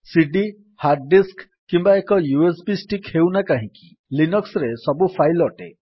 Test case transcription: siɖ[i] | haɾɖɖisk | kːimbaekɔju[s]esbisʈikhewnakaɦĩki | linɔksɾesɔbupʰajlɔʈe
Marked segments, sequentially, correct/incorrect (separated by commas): correct, incorrect